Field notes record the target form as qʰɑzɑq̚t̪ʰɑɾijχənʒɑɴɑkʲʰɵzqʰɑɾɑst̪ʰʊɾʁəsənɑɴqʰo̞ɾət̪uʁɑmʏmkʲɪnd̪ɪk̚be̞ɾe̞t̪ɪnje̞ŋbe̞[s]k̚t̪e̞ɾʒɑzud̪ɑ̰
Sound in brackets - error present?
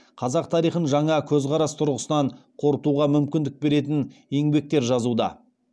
yes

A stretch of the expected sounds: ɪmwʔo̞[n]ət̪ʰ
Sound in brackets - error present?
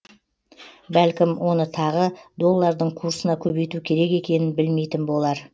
no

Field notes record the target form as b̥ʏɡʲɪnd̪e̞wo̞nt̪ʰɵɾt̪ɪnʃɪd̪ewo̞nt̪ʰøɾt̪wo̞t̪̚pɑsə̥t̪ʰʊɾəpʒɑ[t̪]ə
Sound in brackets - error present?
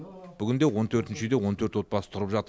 no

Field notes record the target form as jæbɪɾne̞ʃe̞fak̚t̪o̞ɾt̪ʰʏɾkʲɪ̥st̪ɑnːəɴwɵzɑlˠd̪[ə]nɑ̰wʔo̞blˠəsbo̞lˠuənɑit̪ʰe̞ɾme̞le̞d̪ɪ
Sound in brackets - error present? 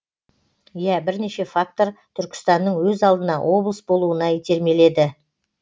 no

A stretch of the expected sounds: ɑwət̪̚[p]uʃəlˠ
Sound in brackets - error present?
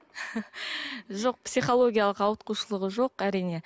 yes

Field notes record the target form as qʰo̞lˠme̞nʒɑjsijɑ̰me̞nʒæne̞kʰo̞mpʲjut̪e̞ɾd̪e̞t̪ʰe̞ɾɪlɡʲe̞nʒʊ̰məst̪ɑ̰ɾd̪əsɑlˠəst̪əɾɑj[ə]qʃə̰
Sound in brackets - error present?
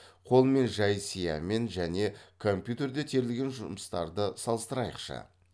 no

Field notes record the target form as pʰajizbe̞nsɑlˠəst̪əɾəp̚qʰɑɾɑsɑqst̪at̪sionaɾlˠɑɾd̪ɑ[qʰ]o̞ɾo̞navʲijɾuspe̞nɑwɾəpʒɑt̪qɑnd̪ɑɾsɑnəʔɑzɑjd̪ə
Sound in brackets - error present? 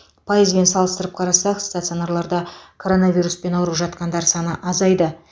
yes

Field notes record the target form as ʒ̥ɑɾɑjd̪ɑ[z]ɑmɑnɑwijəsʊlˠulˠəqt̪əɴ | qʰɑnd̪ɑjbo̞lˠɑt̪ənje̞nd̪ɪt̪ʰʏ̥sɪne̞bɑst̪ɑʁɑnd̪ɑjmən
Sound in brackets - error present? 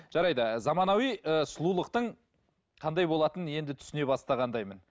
no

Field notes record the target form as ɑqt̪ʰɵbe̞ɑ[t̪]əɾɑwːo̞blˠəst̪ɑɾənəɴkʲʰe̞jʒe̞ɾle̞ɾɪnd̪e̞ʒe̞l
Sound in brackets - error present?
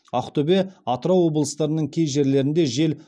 no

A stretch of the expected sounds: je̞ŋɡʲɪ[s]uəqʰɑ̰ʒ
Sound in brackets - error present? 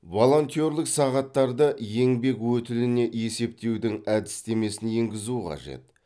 yes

